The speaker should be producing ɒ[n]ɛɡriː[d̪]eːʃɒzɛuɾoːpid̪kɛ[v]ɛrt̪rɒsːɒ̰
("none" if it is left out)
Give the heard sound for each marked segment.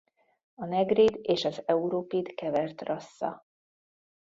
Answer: n, d̪, v

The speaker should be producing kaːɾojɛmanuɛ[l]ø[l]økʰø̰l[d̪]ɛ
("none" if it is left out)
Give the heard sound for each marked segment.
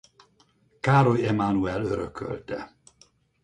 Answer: l, ɾ, t̪

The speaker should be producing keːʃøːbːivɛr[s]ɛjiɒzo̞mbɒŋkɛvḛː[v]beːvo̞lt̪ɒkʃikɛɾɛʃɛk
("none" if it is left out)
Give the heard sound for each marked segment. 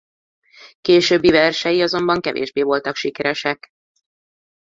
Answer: ʃ, ʒ

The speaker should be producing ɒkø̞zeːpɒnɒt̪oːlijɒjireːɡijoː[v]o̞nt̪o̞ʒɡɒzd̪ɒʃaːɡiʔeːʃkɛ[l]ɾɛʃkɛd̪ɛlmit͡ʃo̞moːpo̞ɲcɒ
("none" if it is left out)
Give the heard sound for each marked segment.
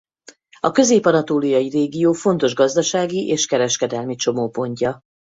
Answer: f, none

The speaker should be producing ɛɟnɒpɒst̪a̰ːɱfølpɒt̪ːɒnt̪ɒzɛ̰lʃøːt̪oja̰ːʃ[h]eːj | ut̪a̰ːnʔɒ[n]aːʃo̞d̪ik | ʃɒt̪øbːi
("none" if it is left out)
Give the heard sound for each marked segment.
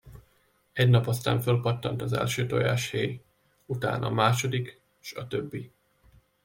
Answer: h, m

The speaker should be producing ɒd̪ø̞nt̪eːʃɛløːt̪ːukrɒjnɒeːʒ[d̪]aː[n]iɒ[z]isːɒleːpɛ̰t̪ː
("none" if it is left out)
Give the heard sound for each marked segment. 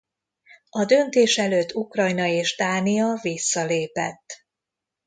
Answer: d̪, n, v

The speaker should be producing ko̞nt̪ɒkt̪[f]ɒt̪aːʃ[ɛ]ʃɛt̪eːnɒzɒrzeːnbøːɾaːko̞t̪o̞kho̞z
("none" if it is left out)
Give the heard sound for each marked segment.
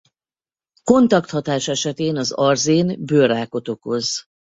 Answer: h, ɛ

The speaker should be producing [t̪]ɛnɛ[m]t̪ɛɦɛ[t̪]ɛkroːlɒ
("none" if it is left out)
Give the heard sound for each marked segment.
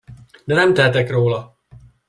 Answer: d̪, m, t̪

